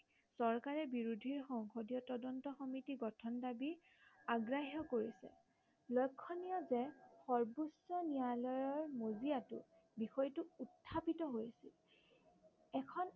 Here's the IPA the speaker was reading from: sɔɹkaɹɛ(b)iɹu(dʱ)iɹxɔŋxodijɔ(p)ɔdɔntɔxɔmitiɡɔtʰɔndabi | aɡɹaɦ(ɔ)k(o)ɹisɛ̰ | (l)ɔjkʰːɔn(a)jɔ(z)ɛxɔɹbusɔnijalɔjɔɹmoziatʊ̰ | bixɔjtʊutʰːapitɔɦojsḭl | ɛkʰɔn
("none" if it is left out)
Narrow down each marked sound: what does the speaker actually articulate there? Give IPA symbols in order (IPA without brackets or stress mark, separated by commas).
b, dʱ, t, ɔ, o, l, i, z